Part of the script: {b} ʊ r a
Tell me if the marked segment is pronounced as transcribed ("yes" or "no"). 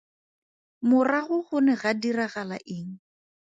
no